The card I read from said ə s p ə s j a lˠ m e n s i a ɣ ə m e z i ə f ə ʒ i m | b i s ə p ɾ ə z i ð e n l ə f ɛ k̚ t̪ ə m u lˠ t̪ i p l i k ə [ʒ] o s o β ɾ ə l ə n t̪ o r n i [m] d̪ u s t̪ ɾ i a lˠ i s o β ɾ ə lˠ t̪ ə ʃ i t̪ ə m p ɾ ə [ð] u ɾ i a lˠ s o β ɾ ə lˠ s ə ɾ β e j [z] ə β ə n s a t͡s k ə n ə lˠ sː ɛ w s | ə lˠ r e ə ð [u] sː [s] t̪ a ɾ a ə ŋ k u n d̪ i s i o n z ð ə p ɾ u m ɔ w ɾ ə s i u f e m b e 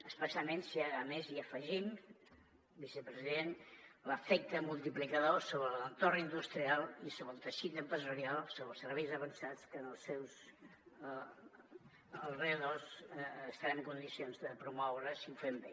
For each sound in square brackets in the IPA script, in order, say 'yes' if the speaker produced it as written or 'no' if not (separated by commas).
no, no, no, yes, no, yes